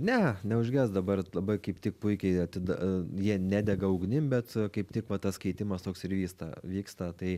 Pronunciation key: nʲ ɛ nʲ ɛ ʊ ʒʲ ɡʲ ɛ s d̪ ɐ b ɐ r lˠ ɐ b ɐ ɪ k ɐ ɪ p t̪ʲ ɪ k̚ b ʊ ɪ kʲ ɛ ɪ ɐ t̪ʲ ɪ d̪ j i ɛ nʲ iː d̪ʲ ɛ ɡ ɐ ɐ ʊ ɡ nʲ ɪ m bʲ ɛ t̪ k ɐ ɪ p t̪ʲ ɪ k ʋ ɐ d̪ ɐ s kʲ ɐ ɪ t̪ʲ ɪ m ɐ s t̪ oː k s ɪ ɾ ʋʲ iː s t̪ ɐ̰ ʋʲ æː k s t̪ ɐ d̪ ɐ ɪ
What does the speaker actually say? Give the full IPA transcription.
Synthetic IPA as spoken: nʲ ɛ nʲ ɛ ʊ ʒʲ ɡʲ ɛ s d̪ ɐ b ɐ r lˠ ɐ b ɐ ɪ k ɐ ɪ p t̪ʲ ɪ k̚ p ʊ ɪ kʲ ɛ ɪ ɐ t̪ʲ ɪ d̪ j i ɛ nʲ æː d̪ʲ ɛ ɡ ɐ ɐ ʊ ɡ nʲ ɪ m bʲ ɛ t̪ k ɐ ɪ p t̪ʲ ɪ k ʋ ɐ t̪ ɐ s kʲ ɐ ɪ t̪ʲ ɪ m ɐ s t̪ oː k s ɪ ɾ ʋʲ iː s t̪ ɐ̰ ʋʲ iː k s t̪ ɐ t̪ ɐ ɪ